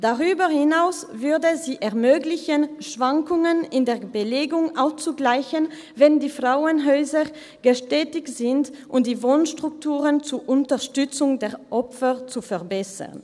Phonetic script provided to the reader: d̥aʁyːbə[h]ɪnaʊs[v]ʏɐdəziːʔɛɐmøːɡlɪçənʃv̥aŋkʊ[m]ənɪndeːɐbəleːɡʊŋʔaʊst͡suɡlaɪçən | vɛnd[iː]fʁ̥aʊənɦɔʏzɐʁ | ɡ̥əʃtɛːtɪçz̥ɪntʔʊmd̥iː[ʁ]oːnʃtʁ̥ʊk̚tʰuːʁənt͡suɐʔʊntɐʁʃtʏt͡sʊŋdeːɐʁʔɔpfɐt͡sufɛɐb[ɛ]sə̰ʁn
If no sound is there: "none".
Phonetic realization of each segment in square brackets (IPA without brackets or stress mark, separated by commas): h, v, ŋ, iː, v, ɛ